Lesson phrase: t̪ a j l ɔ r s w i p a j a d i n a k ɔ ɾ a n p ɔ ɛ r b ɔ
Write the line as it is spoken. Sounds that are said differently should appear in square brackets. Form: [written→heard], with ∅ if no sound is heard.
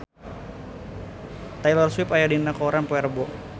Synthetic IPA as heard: t̪ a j l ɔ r s w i p a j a d i n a k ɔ ɾ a n p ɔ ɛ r b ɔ